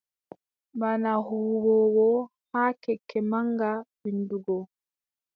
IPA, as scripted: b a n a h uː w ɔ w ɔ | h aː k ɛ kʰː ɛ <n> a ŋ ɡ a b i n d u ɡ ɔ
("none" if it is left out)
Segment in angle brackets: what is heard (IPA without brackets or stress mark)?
m